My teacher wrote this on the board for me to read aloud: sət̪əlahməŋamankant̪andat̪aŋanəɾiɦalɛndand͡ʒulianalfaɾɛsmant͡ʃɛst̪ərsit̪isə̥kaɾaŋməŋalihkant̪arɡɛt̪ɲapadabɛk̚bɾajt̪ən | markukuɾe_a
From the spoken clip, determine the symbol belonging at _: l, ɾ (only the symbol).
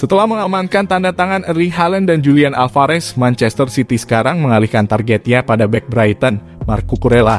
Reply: l